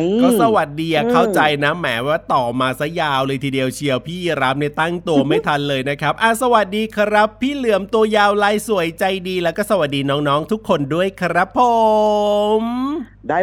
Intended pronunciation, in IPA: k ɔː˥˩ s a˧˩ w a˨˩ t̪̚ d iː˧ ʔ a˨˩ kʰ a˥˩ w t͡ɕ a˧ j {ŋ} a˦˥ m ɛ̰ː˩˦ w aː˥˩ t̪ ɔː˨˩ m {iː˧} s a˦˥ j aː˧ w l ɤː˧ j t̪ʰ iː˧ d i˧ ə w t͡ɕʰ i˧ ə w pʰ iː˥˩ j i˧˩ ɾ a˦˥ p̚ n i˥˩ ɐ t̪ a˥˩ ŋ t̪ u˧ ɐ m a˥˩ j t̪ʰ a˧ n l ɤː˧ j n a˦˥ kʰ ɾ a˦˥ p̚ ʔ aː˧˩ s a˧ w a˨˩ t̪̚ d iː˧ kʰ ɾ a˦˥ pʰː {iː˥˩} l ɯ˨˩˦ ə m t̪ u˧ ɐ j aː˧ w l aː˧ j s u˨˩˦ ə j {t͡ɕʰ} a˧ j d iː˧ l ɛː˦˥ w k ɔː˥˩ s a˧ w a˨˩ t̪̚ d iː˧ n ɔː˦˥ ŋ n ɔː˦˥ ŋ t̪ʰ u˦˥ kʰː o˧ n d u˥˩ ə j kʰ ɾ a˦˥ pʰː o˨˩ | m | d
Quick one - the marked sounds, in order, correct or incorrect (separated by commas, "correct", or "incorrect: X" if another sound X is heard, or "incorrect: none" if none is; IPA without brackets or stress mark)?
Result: incorrect: n, incorrect: aː˧, correct, incorrect: t͡ɕ